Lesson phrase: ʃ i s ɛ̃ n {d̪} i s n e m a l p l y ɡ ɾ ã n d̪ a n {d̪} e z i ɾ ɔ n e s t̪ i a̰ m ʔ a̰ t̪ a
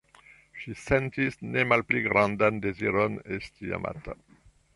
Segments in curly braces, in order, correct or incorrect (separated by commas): incorrect, correct